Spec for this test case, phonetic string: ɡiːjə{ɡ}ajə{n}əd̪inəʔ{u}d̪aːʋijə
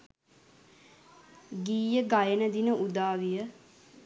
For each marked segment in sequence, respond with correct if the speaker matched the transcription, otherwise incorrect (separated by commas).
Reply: correct, correct, correct